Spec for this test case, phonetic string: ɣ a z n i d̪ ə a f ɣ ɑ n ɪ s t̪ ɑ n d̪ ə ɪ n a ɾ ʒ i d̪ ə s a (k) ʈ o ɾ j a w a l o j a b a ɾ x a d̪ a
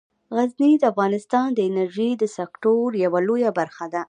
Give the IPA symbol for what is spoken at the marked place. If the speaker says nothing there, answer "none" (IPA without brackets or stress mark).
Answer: k